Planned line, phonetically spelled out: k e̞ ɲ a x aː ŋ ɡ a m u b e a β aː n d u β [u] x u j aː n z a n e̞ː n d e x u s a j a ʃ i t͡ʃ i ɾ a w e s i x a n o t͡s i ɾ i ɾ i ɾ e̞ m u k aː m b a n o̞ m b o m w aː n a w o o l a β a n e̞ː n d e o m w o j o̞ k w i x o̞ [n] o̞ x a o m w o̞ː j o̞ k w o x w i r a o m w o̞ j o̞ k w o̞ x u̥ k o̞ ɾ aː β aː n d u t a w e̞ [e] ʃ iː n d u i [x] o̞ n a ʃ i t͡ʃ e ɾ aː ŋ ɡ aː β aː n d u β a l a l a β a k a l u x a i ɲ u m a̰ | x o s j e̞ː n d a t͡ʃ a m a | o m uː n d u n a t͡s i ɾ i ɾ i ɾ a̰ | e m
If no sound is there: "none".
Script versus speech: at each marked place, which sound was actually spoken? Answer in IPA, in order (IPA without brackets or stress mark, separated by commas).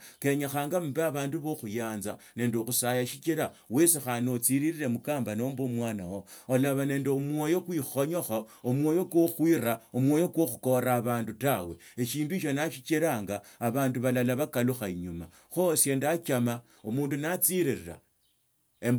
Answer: o, ɲ, e, ʃ